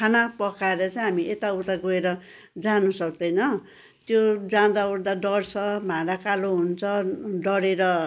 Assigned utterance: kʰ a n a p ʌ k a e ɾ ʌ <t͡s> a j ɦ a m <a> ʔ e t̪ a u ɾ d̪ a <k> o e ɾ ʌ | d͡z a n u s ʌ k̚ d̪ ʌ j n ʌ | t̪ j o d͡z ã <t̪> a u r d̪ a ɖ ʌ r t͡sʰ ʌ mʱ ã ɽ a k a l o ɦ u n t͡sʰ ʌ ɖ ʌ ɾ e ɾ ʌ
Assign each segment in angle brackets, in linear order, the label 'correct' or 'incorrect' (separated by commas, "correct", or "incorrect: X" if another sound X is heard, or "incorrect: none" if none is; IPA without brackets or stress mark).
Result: correct, incorrect: i, incorrect: ɡ, incorrect: d̪